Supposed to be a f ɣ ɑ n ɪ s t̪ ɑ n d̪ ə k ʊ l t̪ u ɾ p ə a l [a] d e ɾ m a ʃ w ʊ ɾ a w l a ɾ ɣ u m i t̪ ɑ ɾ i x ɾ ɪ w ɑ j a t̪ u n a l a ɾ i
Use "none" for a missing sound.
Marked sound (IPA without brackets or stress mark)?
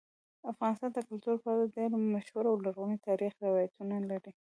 a